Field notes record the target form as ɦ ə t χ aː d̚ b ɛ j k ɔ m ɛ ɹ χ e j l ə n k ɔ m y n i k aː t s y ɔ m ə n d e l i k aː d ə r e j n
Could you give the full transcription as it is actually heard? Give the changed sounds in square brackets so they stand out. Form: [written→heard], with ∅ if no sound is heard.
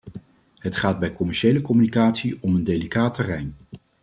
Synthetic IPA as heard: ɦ ə t χ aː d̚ b ɛ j k ɔ m ɛ ɹ [χ→ʃ] e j l ə [n→∅] k ɔ m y n i k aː t s [y→i] ɔ m ə n d e l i k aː [d→t] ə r [e→ɛ] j n